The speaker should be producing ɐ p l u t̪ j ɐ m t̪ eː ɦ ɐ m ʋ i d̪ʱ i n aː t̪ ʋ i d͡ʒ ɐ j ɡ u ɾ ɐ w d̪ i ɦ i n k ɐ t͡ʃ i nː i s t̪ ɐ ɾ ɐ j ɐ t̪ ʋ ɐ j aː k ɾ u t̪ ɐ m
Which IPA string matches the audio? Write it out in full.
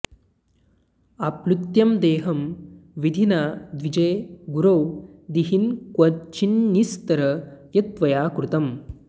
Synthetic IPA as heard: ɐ p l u t̪ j ɐ m d̪ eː ɦ ɐ m ʋ i d̪ʱ i n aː d̪ ʋ i d͡ʒ ɐ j ɡ u ɾ ɐ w d̪ i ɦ i n k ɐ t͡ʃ i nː i s t̪ ɐ ɾ ɐ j ɐ t̪ ʋ ɐ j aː k ɾ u t̪ ɐ m